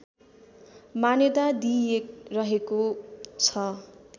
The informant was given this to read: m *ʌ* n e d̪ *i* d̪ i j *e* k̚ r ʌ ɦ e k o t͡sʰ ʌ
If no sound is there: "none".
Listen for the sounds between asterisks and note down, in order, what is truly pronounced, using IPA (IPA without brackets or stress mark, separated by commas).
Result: a, a, e